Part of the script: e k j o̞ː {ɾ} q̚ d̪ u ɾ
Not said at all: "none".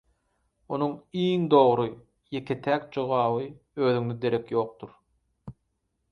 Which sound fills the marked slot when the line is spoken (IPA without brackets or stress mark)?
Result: none